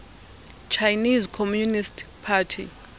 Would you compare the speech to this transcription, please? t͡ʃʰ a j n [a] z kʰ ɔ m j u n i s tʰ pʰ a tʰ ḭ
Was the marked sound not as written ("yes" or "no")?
yes